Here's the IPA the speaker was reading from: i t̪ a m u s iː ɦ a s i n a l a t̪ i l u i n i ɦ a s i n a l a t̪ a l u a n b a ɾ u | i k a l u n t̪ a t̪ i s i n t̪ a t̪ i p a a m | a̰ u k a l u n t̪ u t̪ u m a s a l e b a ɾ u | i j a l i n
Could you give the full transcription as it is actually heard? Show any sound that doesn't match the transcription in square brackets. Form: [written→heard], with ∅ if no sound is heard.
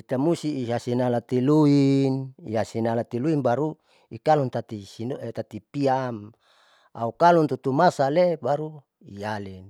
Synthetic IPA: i t̪ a m u s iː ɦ a s i n a l a t̪ i l u i n i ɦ a s i n a l a t̪ [a→i] l u [a→i] n b a ɾ u | i k a l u n t̪ a t̪ i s i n t̪ a t̪ i p [a→i] a m | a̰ u k a l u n t̪ u t̪ u m a s a l e b a ɾ u | i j a l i n